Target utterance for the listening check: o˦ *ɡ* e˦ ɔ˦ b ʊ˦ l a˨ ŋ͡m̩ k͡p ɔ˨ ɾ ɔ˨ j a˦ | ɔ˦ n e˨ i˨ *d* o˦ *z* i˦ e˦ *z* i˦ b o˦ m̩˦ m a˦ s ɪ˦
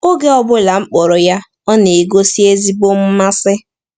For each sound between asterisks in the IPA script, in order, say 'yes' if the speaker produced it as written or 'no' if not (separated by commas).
yes, no, no, yes